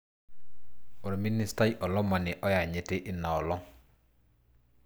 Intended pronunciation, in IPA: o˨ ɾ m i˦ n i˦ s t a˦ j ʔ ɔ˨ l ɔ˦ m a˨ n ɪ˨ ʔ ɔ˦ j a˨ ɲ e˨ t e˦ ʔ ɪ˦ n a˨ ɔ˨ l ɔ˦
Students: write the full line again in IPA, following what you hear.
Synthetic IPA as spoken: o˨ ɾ m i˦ n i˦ s t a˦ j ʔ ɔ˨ l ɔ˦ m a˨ n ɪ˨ ʔ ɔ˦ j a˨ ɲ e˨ t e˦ ʔ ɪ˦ n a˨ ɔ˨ l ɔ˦